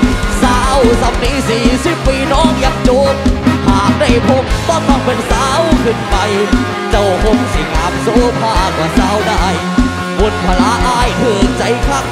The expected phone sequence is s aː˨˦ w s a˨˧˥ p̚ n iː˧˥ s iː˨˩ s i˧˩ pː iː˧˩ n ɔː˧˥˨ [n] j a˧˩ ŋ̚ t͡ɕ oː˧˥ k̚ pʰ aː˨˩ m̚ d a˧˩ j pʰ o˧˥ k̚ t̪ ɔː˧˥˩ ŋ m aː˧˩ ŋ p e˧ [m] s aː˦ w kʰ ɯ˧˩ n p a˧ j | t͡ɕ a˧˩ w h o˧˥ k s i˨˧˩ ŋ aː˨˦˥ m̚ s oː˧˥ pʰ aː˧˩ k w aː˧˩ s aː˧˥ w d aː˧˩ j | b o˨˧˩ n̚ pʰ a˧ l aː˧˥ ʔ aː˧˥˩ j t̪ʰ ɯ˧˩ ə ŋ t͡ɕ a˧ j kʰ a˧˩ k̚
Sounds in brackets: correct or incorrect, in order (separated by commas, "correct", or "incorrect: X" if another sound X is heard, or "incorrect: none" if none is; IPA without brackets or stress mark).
incorrect: ŋ, incorrect: n